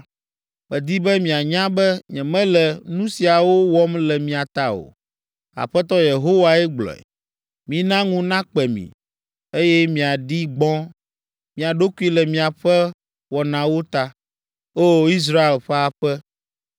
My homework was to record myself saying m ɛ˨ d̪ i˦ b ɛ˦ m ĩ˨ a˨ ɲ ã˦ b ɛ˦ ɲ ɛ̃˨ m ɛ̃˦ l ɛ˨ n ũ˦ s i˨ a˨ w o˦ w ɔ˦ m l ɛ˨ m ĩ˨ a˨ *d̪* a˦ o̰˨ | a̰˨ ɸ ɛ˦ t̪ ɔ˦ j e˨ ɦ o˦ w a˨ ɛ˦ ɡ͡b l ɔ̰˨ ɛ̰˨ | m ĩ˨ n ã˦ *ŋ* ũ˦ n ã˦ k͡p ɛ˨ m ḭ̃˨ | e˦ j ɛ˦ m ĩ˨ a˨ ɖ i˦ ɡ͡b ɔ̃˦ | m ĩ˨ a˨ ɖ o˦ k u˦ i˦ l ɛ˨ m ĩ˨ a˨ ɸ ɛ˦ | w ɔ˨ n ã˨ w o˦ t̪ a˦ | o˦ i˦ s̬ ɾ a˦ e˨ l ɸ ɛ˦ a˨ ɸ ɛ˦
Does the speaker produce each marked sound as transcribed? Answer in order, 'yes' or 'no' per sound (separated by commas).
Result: no, yes